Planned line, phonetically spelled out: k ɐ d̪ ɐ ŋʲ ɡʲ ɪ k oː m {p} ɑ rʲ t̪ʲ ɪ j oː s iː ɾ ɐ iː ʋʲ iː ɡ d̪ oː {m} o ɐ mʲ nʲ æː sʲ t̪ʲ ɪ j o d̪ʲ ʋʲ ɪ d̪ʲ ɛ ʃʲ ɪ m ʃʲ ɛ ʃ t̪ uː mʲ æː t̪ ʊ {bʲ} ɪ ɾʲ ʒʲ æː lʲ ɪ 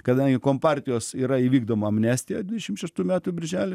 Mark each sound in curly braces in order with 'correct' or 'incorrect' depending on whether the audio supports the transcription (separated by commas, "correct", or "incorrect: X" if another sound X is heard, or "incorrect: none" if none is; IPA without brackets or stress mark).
correct, correct, correct